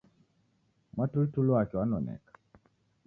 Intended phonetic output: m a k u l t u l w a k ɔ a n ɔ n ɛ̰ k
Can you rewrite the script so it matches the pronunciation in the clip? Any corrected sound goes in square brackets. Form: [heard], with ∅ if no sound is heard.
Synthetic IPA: m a [t] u l t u l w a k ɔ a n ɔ n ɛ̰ k

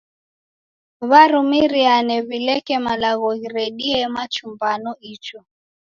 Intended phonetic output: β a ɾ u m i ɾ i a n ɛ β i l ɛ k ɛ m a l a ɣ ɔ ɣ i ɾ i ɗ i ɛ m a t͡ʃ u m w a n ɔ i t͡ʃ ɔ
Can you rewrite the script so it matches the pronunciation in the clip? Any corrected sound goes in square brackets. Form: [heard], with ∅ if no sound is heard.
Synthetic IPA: β a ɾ u m i ɾ i a n ɛ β i l ɛ k ɛ m a l a ɣ ɔ ɣ i ɾ [ɛ] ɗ i ɛ m a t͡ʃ u m [b] a n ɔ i t͡ʃ ɔ

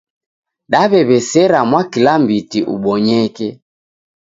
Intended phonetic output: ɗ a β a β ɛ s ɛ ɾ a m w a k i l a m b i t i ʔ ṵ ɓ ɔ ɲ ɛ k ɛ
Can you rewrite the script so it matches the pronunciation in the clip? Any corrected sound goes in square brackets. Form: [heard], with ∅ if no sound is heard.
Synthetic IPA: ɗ a β [ɛ] β ɛ s ɛ ɾ a m w a k i l a m b i t i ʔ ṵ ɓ ɔ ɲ ɛ k ɛ

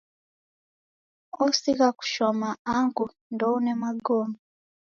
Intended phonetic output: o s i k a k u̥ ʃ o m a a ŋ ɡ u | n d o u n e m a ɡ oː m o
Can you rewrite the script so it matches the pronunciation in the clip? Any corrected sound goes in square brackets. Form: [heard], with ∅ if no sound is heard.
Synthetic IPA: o s i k a k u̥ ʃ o m a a ŋ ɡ u | n d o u n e m a ɡ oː m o

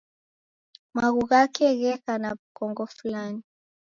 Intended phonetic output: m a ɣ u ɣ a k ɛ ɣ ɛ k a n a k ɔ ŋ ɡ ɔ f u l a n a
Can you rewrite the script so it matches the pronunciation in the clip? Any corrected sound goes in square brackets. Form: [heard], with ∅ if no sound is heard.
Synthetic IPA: m a ɣ u ɣ a k ɛ ɣ ɛ k a n a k ɔ ŋ ɡ ɔ f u l a n [i]

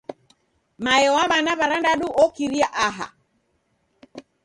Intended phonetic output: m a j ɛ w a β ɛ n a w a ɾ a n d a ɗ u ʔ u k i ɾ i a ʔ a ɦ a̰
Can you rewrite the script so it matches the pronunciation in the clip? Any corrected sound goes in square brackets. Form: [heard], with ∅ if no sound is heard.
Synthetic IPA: m a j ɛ w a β [a] n a [β] a ɾ a n d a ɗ u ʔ [ɔ] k i ɾ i a ʔ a ɦ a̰

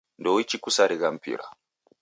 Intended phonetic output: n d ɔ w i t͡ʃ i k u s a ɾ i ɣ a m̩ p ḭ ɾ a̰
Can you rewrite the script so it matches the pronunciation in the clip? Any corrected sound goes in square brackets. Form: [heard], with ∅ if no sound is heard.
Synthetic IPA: n d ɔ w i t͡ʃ i k u s a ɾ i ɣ a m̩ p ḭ ɾ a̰

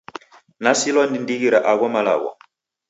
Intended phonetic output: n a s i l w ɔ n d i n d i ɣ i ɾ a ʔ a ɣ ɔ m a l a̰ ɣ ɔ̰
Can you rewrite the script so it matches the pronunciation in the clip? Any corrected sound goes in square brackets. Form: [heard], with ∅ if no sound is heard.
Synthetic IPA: n a s i l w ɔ n d i n d i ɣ i ɾ a ʔ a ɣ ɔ m a l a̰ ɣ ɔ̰

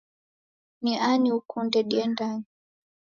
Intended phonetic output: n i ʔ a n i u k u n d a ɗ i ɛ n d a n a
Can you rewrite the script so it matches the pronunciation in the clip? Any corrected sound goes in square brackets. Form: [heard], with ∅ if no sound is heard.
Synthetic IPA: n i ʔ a n i u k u n d [ɛ] ɗ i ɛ n d a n [i]

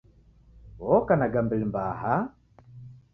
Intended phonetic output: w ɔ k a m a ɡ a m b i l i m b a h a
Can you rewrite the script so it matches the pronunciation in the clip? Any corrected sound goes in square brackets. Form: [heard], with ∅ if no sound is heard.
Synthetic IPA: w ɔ k a [n] a ɡ a m b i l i m b a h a

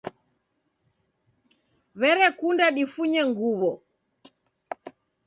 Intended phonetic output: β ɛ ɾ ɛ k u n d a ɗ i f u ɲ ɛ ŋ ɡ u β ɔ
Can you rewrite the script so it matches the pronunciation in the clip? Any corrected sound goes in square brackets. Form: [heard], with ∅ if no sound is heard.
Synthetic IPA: β ɛ ɾ ɛ k u n d a ɗ i f u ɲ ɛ ŋ ɡ u β ɔ

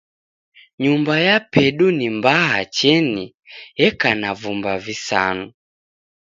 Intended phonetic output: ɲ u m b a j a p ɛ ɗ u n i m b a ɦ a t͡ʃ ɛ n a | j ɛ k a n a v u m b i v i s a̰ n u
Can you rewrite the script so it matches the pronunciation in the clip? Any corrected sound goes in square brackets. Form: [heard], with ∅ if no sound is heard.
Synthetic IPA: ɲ u m b a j a p ɛ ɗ u n i m b a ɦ a t͡ʃ ɛ n [i] | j ɛ k a n a v u m b [a] v i s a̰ n u

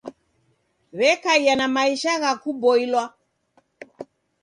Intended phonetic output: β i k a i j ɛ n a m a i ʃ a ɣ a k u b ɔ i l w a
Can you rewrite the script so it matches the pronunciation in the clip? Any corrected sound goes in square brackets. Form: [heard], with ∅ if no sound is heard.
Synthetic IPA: β [ɛ] k a i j [a] n a m a i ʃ a ɣ a k u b ɔ i l w a

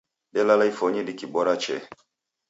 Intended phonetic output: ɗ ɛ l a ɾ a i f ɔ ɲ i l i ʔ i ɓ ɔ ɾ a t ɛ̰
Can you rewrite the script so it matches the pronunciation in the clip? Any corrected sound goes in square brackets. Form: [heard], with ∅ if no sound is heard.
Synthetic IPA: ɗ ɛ l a [l] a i f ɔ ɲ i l i [k] i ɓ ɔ ɾ a [t͡ʃ] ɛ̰

